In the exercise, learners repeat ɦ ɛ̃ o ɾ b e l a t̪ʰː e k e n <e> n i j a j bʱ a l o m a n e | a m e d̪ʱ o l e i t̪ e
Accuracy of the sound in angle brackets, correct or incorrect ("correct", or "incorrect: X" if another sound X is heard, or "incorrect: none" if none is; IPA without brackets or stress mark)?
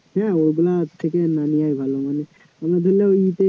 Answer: incorrect: a